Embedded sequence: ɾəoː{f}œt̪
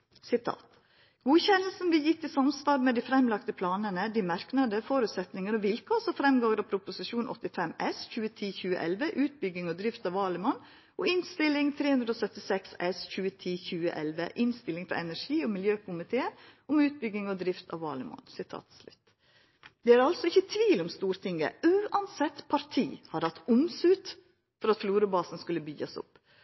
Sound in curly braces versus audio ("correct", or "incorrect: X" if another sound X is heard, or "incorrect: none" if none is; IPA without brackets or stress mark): incorrect: s